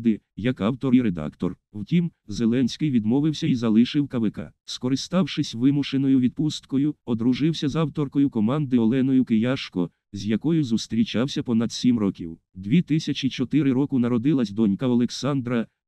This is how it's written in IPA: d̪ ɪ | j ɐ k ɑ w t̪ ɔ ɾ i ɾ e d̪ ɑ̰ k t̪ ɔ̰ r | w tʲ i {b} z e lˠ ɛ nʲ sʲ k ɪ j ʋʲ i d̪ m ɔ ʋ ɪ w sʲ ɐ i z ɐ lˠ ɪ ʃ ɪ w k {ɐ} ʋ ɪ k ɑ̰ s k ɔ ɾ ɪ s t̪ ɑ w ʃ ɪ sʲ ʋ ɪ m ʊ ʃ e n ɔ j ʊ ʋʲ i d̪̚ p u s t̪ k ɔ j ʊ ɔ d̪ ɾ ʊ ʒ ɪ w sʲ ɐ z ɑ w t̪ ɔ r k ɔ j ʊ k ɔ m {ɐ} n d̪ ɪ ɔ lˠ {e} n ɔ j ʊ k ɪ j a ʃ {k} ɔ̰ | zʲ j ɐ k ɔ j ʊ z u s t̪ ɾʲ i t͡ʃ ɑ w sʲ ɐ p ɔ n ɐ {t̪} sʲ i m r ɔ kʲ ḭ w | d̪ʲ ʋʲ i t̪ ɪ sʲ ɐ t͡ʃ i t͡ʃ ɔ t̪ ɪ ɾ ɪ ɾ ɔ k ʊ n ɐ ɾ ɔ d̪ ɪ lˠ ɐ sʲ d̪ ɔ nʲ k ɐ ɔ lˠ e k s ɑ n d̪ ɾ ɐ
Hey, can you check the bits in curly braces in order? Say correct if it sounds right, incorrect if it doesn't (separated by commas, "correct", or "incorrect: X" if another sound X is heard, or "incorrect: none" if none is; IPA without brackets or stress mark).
incorrect: m, correct, incorrect: ɑ, incorrect: ɛ, correct, incorrect: d̪